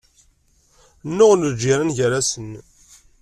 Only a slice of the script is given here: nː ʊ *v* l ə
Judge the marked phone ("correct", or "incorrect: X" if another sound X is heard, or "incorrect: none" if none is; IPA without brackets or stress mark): incorrect: ʁ